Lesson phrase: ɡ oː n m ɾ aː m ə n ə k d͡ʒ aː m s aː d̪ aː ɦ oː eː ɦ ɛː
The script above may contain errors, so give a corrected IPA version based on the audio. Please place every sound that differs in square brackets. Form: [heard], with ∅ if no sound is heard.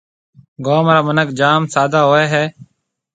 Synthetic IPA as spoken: ɡ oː [∅] m ɾ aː m ə n ə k d͡ʒ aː m s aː d̪ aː ɦ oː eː ɦ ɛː